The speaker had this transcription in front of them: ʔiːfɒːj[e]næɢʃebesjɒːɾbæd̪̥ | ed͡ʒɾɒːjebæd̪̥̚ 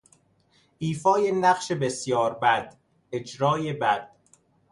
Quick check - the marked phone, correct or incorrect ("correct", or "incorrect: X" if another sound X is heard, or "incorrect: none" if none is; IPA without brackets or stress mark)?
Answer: correct